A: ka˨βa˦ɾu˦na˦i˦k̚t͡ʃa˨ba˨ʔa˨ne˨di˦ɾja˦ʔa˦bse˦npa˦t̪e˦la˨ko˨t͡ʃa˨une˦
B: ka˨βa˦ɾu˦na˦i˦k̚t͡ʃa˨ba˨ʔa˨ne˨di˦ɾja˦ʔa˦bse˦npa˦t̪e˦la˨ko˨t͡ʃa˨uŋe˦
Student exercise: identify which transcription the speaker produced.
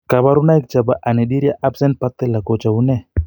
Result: A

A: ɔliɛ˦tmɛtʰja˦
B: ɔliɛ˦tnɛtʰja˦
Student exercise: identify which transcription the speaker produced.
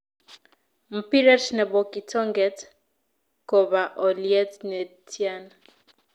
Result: B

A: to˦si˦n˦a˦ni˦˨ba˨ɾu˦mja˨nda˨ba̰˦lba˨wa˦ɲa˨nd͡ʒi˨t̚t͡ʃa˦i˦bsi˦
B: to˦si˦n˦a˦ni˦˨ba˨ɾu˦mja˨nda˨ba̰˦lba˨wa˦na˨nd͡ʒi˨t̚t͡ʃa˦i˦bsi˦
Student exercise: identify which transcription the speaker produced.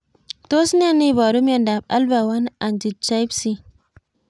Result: B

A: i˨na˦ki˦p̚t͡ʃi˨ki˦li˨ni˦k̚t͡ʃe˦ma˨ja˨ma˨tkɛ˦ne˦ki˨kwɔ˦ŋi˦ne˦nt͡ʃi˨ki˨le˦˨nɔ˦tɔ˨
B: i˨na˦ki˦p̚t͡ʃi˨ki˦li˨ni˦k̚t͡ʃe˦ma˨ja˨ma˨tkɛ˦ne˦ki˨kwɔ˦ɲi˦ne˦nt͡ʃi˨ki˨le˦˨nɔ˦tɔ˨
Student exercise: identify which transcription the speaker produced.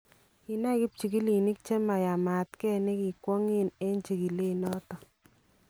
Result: A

